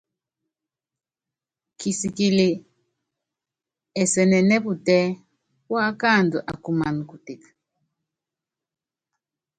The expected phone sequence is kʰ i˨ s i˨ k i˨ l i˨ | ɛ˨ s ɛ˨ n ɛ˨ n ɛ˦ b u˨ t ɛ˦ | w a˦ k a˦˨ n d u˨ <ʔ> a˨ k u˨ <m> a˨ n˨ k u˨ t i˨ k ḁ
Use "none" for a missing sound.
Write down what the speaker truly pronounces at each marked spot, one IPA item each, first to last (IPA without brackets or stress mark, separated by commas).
ʔ, m